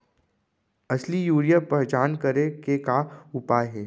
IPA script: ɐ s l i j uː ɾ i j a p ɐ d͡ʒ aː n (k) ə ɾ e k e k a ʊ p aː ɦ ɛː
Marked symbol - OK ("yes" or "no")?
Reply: yes